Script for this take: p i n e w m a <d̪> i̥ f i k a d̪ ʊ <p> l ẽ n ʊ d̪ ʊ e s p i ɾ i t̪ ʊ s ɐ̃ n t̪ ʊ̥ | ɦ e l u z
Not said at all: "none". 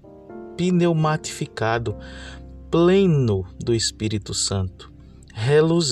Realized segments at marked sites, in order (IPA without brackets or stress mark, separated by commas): t̪, p